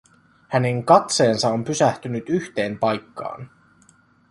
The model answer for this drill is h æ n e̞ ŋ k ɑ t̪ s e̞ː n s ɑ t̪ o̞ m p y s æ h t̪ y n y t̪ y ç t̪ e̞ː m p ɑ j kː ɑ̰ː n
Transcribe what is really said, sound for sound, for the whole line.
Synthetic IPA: h æ n e̞ ŋ k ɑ t̪ s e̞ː n s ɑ o̞ m p y s æ h t̪ y n y t̪ y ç t̪ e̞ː m p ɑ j kː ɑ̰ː n